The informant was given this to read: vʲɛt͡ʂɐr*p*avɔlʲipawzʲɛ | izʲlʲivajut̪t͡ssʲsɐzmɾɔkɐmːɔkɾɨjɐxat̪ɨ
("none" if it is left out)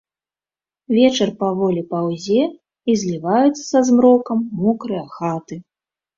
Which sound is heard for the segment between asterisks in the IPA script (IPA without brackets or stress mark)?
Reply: p